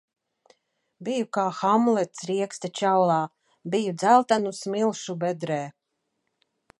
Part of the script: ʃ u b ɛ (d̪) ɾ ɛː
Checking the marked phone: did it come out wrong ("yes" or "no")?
no